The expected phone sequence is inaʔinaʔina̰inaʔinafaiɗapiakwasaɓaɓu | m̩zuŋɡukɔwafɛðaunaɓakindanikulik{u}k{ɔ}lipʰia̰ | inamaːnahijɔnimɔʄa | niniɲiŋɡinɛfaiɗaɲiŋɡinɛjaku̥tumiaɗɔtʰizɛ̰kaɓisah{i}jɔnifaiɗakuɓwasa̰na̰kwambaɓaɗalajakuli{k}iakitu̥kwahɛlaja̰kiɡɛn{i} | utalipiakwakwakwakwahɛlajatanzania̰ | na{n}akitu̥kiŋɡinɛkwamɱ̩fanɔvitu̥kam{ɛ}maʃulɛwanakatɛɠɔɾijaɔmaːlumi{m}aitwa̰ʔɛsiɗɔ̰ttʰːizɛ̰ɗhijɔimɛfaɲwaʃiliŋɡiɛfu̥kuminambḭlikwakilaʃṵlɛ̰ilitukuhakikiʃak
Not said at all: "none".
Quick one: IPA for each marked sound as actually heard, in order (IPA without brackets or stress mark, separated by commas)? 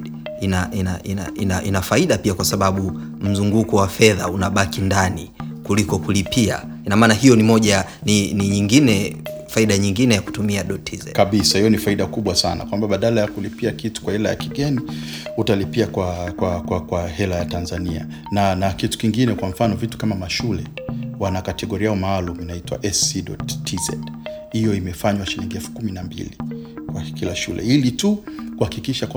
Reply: ɔ, u, i, p, i, n, a, n